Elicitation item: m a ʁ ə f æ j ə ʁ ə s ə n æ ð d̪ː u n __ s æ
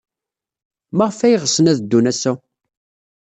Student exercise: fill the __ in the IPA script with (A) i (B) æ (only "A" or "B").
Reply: B